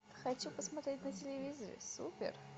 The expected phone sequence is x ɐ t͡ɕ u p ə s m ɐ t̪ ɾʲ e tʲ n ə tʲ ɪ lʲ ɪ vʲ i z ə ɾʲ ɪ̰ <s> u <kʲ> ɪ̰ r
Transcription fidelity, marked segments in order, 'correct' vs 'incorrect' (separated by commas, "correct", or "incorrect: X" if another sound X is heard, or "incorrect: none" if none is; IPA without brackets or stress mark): correct, incorrect: pʲ